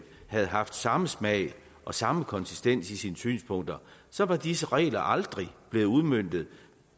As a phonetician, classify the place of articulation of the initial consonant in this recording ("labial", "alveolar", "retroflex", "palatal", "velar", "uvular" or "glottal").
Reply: glottal